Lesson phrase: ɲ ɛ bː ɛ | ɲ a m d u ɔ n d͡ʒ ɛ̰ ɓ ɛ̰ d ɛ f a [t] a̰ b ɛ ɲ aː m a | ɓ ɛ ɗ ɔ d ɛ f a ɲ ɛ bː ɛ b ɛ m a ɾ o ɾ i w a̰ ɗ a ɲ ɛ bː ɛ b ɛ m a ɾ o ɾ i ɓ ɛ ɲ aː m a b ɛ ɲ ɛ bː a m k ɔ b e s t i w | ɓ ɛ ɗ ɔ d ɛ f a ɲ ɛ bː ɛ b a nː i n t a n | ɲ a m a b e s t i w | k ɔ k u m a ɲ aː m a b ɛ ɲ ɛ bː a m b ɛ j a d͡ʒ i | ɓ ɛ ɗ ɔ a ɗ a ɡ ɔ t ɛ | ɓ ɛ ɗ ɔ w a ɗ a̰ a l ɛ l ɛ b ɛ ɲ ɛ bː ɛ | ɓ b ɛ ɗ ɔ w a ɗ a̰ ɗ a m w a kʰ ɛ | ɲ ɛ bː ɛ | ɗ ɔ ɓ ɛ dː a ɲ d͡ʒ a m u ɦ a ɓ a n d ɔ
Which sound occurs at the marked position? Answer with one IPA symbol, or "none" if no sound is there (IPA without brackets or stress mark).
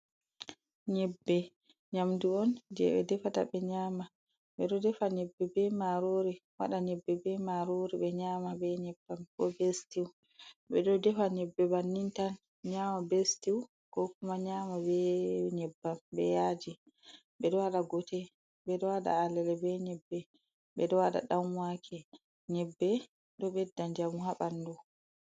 t